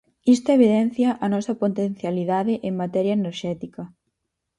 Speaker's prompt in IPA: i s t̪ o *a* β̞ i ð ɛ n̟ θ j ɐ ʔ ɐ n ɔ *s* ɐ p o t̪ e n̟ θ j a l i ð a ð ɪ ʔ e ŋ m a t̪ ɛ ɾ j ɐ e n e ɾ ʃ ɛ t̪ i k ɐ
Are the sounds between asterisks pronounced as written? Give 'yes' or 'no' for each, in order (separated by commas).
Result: no, yes